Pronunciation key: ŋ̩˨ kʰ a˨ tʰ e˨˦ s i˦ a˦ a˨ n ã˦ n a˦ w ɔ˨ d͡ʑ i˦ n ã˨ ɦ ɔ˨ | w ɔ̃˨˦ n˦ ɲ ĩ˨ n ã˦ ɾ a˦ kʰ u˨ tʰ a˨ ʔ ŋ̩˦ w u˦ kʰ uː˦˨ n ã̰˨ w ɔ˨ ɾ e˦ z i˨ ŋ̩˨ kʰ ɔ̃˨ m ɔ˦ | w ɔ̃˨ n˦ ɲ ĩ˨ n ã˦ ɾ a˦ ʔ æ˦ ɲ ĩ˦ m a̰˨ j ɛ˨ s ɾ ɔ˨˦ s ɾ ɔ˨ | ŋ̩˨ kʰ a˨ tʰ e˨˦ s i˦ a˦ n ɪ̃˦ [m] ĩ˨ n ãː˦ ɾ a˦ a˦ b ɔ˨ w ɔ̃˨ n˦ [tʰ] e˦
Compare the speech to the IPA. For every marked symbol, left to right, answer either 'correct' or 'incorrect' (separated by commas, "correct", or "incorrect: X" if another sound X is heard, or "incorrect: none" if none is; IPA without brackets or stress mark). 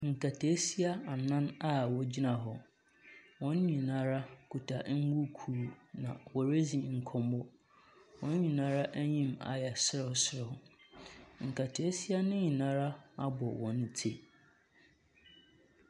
incorrect: ɲ, correct